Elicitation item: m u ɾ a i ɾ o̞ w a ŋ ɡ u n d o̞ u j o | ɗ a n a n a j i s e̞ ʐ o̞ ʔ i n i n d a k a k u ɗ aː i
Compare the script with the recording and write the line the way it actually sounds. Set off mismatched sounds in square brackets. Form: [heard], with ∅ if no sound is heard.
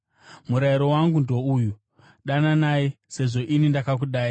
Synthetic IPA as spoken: m u ɾ a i ɾ o̞ w a ŋ ɡ u n d o̞ u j [u] | ɗ a n a n a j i s e̞ ʐ o̞ ʔ i n i n d a k a k u ɗ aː i